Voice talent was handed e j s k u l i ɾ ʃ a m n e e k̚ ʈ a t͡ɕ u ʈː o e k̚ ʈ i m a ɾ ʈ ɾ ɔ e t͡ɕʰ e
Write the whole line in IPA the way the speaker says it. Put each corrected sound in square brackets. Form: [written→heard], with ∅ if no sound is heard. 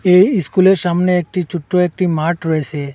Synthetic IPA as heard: e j s k u l [i→e] ɾ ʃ a m n e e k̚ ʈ [a→i] t͡ɕ u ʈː o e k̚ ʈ i m a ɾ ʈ ɾ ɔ e t͡ɕʰ e